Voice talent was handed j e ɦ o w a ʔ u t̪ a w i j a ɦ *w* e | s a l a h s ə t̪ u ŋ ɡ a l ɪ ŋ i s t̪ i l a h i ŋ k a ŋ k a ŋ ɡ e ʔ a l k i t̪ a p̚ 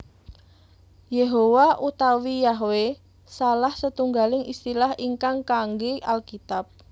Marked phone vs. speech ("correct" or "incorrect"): correct